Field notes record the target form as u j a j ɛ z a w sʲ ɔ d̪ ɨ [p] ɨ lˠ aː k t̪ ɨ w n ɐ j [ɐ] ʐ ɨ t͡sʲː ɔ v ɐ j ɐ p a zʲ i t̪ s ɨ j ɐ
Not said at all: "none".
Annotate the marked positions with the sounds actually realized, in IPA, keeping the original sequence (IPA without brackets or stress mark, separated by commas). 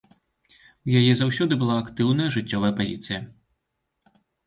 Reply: b, ɐ